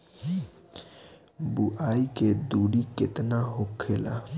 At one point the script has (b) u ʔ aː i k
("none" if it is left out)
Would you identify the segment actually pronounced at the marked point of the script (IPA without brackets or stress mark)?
b